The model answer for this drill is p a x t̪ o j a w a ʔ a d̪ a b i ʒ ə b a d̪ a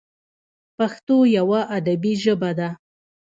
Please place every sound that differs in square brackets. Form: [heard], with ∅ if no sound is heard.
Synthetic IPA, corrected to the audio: p a x t̪ o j a w a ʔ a d̪ a b i ʒ ə b a d̪ a